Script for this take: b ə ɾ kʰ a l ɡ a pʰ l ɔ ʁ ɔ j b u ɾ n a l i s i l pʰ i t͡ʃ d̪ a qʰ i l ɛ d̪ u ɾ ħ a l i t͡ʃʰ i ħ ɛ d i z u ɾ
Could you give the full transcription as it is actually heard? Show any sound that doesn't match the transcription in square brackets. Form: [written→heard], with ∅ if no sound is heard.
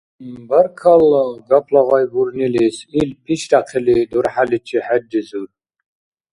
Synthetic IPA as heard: b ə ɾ kʰ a l ɡ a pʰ l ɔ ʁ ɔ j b u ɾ n [a→i] l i s i l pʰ i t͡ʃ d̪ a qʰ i l [ɛ→i] d̪ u ɾ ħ a l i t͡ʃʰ i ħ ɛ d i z u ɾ

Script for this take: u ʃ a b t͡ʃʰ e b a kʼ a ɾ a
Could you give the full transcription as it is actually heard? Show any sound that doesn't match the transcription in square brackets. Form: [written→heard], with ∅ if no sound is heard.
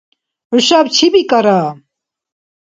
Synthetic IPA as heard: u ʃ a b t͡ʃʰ [e→i] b [a→i] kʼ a ɾ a

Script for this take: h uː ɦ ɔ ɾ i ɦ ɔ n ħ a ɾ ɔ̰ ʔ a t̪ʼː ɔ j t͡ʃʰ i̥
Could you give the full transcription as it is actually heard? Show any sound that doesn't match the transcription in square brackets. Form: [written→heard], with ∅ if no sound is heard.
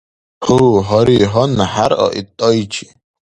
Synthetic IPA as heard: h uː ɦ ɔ ɾ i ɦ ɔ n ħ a ɾ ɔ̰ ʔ [a→i] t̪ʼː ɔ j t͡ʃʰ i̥

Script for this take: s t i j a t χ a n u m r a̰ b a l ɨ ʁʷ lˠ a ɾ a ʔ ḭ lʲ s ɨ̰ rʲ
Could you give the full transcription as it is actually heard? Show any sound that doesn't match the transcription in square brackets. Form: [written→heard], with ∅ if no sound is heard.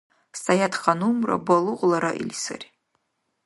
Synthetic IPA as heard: s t [i→a] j a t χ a n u m r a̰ b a l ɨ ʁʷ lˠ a ɾ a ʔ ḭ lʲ s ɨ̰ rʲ

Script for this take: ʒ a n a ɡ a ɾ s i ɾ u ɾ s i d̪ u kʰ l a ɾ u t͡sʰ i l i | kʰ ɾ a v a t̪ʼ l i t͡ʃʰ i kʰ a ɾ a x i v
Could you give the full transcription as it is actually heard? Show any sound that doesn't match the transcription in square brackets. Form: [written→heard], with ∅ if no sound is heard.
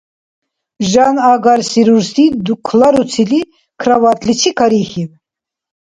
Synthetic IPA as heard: ʒ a n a ɡ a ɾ s i ɾ u ɾ s i d̪ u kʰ l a ɾ u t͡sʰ i l i | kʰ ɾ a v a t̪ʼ l i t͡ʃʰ i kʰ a ɾ [a→i] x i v

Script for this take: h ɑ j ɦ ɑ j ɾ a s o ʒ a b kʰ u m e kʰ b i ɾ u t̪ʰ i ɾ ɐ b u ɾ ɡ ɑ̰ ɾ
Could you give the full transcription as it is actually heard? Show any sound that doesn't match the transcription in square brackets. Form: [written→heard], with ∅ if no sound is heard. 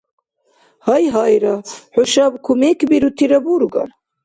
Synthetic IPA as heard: h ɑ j ɦ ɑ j ɾ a [s→ħ] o [ʒ→ʃ] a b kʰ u m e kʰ b i ɾ u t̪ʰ i ɾ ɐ b u ɾ ɡ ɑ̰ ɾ

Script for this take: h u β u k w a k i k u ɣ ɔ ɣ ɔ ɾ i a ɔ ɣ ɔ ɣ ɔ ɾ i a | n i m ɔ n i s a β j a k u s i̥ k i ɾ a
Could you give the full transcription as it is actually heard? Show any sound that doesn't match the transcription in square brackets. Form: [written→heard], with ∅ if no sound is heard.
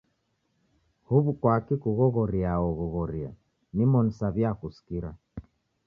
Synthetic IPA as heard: h u β u k w a k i k u ɣ ɔ ɣ ɔ ɾ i a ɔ ɣ ɔ ɣ ɔ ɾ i a | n i m ɔ n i s a β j a k u s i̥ k i ɾ a

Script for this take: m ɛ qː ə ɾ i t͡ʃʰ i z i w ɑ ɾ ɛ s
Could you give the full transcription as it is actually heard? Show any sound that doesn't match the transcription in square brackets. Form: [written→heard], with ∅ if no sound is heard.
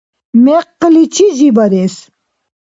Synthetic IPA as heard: m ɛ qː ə [ɾ→l] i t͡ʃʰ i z i [w→b] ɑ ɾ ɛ s

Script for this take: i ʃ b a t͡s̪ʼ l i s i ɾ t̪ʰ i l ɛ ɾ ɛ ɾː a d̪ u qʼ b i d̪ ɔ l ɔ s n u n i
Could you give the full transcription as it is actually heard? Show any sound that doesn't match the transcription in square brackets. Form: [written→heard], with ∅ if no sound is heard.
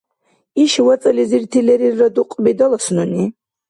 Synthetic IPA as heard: i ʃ [b→w] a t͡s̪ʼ l i [s→z] i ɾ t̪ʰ i l ɛ ɾ [ɛ→i] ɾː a d̪ u qʼ b i d̪ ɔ l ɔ s n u n i

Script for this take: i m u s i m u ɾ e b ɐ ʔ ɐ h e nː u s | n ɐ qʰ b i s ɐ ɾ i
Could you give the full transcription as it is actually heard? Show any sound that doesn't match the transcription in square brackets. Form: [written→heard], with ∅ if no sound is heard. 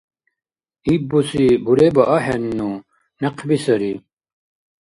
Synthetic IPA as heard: i [m→b] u s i [m→b] u ɾ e b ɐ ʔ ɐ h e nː u [s→∅] | n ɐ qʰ b i s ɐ ɾ i

